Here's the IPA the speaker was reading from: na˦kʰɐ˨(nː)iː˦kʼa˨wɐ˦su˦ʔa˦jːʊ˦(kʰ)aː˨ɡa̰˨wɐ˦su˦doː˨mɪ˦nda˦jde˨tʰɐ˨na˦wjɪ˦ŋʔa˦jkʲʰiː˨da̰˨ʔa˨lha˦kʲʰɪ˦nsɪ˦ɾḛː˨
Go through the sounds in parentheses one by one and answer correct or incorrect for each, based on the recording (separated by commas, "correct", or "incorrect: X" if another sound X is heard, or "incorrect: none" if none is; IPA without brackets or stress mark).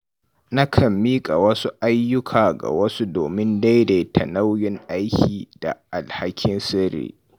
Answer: incorrect: mː, correct